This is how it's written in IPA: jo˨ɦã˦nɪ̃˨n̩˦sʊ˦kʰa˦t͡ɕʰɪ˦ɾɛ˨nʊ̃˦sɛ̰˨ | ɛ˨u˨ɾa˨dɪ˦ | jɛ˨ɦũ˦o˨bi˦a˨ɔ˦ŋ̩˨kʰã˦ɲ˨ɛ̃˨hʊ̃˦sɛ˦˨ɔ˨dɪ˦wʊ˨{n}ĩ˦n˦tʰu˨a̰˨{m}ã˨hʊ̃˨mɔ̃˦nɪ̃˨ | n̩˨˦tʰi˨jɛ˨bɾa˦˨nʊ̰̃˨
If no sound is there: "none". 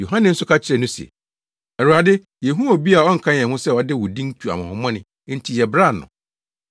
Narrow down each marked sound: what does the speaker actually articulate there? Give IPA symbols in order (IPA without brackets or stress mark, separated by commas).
d, m